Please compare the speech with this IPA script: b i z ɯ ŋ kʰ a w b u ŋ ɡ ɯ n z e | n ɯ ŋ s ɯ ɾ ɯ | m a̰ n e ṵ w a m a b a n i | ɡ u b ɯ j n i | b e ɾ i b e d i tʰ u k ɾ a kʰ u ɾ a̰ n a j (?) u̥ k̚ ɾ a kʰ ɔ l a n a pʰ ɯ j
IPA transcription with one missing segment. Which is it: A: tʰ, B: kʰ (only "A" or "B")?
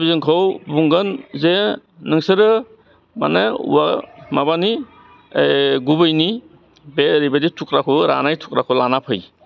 A